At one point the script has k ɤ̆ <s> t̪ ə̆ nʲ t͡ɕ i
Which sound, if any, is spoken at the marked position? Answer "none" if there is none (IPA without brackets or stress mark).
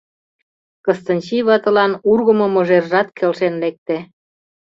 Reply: s